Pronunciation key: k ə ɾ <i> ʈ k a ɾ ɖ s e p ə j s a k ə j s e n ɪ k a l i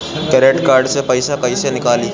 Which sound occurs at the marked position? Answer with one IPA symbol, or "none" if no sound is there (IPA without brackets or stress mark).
e